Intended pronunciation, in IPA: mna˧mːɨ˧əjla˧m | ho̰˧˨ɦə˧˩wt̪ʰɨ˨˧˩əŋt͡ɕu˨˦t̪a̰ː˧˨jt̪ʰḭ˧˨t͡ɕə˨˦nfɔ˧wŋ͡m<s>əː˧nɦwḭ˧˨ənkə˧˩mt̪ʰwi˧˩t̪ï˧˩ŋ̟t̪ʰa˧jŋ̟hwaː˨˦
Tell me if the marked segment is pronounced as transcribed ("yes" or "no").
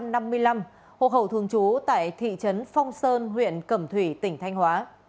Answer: yes